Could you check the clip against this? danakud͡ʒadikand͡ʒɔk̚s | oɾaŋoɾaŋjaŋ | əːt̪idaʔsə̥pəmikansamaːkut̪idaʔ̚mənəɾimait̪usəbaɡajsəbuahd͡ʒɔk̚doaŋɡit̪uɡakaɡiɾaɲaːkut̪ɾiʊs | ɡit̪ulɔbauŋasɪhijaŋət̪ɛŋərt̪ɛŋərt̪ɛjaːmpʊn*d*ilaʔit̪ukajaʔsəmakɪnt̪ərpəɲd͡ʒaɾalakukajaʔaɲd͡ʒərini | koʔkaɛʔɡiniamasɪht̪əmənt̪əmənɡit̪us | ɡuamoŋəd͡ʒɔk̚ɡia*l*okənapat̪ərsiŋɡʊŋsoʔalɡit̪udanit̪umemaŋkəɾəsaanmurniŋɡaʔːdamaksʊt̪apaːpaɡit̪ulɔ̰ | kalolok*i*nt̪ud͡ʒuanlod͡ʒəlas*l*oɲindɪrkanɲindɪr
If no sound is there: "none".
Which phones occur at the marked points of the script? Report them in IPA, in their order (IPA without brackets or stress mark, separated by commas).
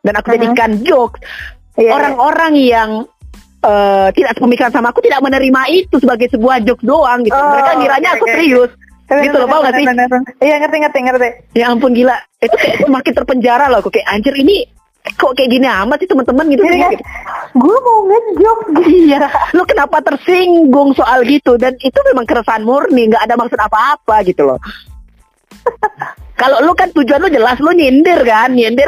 ɡ, l, a, l